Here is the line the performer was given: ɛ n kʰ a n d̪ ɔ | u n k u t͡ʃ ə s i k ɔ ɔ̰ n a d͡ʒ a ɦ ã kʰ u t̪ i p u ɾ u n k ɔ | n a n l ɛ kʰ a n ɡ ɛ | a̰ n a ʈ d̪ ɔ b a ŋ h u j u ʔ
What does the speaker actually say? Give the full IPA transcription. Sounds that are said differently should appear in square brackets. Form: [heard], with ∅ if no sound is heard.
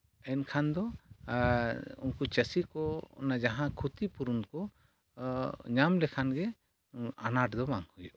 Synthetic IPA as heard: ɛ n kʰ a n d̪ ɔ | u n k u t͡ʃ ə s i k ɔ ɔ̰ n a d͡ʒ a ɦ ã kʰ u t̪ i p u ɾ u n k ɔ | [ɲ] a [m] l ɛ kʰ a n ɡ ɛ | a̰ n a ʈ d̪ ɔ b a ŋ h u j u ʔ